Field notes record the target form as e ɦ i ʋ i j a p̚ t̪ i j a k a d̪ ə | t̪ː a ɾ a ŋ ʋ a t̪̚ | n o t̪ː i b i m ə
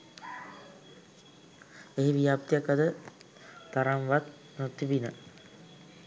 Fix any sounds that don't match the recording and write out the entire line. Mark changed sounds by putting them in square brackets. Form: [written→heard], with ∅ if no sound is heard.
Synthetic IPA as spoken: e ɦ i ʋ i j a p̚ t̪ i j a k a d̪ ə | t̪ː a ɾ a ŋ ʋ a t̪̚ | n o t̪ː i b i [m→n] ə